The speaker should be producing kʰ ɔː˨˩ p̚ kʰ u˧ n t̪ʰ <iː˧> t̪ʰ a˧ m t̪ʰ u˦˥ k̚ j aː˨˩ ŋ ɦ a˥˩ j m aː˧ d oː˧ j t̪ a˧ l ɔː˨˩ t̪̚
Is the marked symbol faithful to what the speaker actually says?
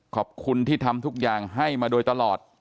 no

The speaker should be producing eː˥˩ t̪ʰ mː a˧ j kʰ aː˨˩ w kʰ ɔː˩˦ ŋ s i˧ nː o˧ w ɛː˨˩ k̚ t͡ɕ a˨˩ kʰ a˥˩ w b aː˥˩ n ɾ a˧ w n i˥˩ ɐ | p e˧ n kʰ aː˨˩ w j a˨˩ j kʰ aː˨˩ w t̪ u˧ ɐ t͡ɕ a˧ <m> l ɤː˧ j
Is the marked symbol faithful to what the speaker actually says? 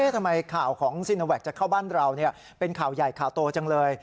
no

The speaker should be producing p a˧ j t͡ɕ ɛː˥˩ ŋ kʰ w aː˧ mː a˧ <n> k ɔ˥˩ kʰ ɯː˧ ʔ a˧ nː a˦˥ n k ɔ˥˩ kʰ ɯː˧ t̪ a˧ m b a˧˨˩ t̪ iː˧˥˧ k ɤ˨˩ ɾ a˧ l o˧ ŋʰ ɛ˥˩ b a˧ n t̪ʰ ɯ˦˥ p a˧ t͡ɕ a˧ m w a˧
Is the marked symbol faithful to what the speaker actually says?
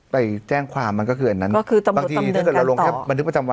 yes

